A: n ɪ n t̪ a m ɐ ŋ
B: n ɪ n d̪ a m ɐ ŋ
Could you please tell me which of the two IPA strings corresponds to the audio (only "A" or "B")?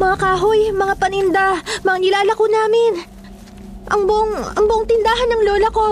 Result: B